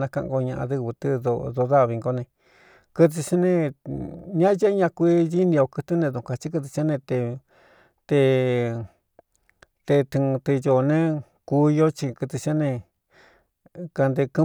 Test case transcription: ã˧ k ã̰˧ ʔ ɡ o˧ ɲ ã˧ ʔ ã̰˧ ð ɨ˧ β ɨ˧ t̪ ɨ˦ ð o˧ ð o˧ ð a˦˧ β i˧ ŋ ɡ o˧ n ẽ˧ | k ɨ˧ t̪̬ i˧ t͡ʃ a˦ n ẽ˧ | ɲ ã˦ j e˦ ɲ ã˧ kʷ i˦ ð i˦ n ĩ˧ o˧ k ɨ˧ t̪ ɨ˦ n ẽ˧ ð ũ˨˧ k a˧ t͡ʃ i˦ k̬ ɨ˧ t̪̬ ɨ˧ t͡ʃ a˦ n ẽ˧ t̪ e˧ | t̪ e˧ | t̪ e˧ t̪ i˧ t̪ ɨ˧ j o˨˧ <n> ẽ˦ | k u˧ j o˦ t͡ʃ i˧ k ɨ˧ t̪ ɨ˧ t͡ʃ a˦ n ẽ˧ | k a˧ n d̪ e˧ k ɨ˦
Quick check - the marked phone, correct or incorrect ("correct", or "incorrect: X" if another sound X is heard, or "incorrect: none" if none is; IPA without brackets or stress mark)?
correct